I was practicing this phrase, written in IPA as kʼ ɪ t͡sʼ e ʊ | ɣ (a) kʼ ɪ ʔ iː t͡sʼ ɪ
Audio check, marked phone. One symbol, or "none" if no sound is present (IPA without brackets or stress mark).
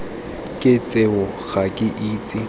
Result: a